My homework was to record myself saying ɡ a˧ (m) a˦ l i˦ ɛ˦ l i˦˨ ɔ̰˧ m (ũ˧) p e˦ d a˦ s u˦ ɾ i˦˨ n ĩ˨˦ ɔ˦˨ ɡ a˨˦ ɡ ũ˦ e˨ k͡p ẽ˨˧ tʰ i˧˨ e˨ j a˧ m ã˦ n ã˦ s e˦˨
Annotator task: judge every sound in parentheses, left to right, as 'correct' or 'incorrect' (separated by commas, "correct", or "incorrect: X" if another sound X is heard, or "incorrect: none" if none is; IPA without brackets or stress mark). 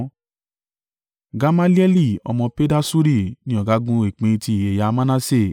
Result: correct, incorrect: ɔ̃˧